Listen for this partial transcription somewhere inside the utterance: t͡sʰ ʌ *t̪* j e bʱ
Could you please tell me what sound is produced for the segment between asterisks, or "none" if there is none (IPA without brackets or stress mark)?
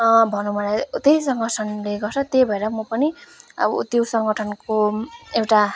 t̪